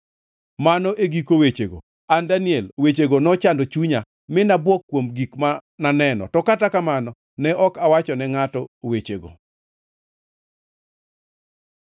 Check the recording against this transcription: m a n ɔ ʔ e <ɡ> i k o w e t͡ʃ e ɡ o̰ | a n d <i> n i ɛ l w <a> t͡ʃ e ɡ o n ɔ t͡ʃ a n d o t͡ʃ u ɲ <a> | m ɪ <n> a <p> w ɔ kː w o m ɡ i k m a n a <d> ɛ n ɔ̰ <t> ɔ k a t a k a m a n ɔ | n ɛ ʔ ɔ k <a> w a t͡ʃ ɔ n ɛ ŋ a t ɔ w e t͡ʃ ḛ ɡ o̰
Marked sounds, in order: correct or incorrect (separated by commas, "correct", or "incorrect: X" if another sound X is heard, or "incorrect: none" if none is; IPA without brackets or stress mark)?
correct, incorrect: a, incorrect: e, correct, correct, incorrect: b, incorrect: n, correct, correct